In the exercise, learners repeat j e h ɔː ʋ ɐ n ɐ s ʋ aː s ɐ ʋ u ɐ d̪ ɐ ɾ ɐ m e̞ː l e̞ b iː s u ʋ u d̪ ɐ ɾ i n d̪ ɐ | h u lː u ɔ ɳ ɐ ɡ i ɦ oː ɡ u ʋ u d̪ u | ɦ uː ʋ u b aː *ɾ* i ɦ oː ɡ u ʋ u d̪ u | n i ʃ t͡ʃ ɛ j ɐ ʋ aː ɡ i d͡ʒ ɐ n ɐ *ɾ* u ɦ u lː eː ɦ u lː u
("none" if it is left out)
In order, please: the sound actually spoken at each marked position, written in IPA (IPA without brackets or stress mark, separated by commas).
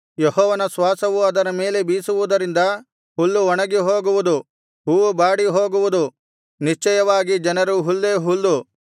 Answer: ɽ, ɾ